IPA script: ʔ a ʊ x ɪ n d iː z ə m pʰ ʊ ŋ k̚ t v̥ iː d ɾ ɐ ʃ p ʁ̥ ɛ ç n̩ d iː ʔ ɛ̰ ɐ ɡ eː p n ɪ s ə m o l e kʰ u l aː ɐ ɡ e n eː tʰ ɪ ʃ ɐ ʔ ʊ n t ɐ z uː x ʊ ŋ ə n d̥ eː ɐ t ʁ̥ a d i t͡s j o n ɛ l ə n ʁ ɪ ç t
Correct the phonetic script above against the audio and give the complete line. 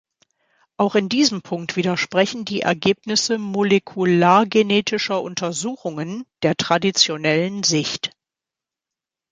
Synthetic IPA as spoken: ʔ a ʊ x ɪ n d iː z ə m pʰ ʊ ŋ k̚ t v̥ iː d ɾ ɐ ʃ p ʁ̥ ɛ ç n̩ d iː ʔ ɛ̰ ɐ ɡ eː p n ɪ s ə m o l e kʰ u l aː ɐ ɡ e n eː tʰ ɪ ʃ ɐ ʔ ʊ n t ɐ z uː x ʊ ŋ ə n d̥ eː ɐ t ʁ̥ a d i t͡s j o n ɛ l ə n z ɪ ç t